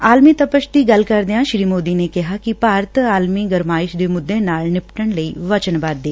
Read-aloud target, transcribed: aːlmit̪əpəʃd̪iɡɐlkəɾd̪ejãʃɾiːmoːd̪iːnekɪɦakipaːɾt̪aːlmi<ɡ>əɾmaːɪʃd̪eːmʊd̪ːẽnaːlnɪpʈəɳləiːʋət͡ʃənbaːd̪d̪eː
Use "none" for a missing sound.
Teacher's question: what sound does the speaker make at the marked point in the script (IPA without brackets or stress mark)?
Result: ɡ